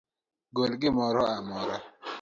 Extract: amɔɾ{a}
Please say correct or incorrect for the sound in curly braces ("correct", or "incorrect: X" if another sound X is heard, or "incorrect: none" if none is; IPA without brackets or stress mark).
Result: correct